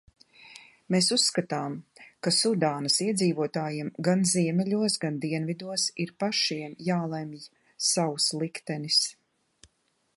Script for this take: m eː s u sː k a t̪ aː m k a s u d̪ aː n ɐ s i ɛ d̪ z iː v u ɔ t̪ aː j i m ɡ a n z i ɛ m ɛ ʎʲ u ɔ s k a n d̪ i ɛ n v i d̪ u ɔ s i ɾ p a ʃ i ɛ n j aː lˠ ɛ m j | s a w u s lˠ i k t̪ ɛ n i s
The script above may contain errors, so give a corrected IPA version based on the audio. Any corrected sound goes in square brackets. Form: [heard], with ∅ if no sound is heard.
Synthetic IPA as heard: m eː s u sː k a t̪ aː m k a s u d̪ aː n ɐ s i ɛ d̪ z iː v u ɔ t̪ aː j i m ɡ a n z i ɛ m ɛ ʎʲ u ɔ s [ɡ] a n d̪ i ɛ n v i d̪ u ɔ s i ɾ p a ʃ i ɛ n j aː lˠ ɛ m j | s a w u s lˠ i k t̪ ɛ n i s